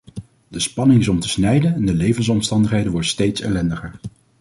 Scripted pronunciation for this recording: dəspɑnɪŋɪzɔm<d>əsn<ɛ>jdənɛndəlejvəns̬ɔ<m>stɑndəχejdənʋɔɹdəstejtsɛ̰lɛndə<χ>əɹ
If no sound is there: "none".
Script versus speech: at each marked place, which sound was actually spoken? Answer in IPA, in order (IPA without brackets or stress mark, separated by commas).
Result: t, ɛ, m, χ